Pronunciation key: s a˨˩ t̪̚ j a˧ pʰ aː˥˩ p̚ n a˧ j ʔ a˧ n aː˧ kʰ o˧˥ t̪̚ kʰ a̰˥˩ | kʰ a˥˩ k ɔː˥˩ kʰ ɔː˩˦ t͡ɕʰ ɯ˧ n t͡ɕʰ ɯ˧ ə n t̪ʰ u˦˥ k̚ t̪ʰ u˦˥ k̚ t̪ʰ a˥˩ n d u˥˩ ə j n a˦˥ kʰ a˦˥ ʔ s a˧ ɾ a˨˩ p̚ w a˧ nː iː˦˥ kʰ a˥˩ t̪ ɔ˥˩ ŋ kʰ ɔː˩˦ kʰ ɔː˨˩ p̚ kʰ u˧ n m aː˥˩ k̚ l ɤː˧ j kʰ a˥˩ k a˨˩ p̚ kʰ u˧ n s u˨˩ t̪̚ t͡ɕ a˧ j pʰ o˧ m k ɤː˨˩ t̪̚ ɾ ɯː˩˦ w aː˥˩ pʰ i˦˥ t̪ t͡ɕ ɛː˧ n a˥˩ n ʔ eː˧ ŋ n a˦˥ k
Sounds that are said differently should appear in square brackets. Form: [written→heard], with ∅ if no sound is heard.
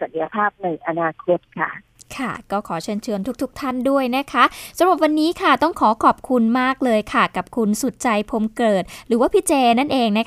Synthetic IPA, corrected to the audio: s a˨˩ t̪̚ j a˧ pʰ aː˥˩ p̚ n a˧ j ʔ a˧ n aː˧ kʰ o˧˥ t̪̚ kʰ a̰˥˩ | kʰ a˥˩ k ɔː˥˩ kʰ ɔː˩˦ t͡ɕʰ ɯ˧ n t͡ɕʰ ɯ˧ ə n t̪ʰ u˦˥ k̚ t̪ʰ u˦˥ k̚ t̪ʰ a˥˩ n d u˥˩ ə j n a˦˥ kʰ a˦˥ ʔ s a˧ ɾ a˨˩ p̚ w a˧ nː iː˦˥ kʰ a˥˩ t̪ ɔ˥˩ ŋ kʰ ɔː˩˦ kʰ ɔː˨˩ p̚ kʰ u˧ n m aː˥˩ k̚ l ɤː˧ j kʰ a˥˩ k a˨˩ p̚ kʰ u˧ n s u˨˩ t̪̚ t͡ɕ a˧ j pʰ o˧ m k ɤː˨˩ t̪̚ ɾ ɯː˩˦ w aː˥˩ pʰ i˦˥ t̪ t͡ɕ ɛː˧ n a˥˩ n ʔ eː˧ ŋ n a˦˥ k